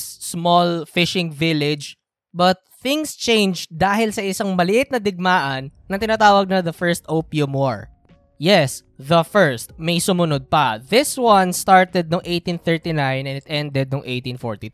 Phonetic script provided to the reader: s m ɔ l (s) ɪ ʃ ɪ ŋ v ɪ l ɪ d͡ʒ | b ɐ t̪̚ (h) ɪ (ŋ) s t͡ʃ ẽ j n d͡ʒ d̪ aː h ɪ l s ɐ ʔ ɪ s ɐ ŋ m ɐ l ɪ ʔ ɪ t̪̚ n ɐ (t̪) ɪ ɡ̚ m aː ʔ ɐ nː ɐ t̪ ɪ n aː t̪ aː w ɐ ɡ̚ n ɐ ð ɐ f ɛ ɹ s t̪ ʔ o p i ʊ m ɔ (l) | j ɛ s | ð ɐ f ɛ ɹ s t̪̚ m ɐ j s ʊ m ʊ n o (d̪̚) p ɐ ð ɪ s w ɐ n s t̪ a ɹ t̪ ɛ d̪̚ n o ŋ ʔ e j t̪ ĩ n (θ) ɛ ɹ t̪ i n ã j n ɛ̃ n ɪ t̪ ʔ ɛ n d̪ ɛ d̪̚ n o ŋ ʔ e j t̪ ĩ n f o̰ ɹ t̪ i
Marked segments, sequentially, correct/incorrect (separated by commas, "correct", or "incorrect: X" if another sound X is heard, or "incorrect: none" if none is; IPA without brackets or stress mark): incorrect: f, incorrect: θ, correct, incorrect: d̪, incorrect: ɹ, correct, correct